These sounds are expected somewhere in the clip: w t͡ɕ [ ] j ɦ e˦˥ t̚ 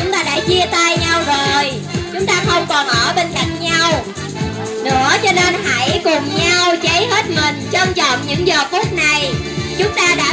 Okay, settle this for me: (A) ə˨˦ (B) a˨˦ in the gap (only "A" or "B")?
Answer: A